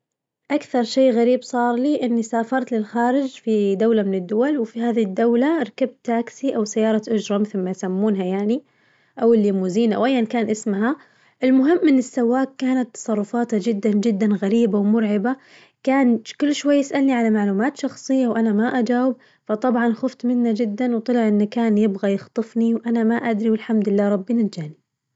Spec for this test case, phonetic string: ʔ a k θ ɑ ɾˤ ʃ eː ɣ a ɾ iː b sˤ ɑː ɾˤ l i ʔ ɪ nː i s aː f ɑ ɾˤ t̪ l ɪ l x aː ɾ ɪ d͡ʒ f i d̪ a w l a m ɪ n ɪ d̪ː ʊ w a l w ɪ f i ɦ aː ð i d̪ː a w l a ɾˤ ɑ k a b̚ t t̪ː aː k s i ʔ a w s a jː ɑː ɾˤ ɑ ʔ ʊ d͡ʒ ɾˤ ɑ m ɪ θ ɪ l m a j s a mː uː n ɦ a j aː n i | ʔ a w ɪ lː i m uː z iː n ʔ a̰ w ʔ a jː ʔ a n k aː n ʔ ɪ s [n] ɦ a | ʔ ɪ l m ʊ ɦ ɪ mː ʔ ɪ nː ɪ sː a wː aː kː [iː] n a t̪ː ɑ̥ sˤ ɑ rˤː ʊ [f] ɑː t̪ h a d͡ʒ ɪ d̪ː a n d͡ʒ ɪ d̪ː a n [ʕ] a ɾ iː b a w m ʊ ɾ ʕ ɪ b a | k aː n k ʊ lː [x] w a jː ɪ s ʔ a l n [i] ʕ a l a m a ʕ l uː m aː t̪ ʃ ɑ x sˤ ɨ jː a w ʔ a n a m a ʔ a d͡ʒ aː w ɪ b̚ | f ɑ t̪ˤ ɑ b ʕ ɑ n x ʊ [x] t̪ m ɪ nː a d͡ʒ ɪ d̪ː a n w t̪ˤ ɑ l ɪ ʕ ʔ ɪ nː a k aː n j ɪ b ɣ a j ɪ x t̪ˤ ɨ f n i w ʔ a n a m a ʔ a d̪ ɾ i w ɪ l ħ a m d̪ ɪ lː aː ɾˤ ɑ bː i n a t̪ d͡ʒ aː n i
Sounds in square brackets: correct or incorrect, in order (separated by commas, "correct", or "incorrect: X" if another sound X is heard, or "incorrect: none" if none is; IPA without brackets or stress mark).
incorrect: m, incorrect: aː, correct, incorrect: ɣ, incorrect: ʃ, correct, incorrect: f